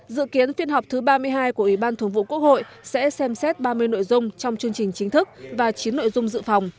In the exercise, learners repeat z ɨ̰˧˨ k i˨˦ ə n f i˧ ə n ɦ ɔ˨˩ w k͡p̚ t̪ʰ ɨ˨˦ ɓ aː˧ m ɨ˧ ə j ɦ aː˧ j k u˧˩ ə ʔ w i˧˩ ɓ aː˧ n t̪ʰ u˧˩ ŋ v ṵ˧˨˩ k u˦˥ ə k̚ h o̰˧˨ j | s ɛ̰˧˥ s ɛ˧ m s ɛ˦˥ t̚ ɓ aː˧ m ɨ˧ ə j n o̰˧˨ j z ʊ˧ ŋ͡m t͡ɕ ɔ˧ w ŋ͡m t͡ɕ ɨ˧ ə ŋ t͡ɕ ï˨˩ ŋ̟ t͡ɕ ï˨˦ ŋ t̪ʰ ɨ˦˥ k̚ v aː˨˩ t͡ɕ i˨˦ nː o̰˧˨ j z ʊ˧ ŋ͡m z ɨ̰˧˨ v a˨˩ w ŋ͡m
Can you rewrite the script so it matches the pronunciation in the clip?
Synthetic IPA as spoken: z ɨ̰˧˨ k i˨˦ ə n f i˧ ə n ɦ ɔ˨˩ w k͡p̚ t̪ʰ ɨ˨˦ ɓ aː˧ m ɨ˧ ə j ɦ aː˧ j k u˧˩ ə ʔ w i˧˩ ɓ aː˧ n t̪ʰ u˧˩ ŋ v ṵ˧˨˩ k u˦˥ ə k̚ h o̰˧˨ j | s ɛ̰˧˥ s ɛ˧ m s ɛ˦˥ t̚ ɓ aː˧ m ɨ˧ ə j n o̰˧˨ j z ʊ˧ ŋ͡m t͡ɕ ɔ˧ w ŋ͡m t͡ɕ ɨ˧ ə ŋ t͡ɕ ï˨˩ ŋ̟ t͡ɕ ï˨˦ ŋ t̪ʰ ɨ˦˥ k̚ v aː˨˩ t͡ɕ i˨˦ nː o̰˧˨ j z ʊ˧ ŋ͡m z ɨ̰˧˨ f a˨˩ w ŋ͡m